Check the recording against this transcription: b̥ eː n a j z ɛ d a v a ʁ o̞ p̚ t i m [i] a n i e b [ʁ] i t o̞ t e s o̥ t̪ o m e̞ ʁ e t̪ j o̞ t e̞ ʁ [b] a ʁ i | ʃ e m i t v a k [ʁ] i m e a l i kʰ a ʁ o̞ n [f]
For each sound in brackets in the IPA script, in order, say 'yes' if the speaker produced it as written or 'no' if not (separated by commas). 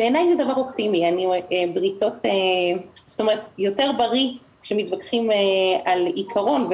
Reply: yes, yes, yes, no, no